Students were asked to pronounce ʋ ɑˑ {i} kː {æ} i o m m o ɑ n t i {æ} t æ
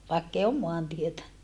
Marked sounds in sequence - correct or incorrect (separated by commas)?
incorrect, incorrect, incorrect